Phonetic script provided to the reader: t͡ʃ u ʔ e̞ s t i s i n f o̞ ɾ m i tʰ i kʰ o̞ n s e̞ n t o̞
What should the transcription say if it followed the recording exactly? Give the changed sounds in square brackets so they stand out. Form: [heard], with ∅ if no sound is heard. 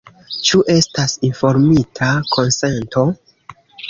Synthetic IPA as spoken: t͡ʃ u ʔ e̞ s t [a] s i n f o̞ ɾ m i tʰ [a] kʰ o̞ n s e̞ n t o̞